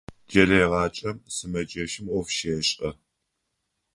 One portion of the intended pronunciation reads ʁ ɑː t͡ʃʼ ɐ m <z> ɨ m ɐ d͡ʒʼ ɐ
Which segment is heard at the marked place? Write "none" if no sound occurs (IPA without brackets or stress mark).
s